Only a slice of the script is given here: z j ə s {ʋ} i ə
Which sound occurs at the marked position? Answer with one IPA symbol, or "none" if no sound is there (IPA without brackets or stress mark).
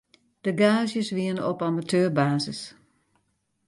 ʋ